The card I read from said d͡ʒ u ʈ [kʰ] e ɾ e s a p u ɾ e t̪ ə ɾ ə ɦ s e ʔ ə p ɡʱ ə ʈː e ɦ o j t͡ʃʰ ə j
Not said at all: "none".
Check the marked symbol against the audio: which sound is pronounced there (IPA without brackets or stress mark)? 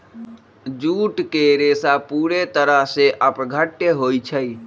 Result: k